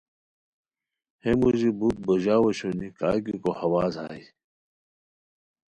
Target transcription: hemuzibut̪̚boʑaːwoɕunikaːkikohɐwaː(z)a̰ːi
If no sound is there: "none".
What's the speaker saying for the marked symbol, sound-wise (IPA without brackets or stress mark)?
z